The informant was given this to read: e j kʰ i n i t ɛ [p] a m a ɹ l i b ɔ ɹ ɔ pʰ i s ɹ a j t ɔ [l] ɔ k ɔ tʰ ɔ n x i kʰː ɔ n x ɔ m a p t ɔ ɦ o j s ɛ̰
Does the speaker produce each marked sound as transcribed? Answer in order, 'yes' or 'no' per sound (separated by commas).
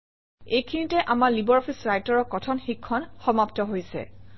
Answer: no, no